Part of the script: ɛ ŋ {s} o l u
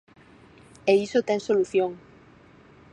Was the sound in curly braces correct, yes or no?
yes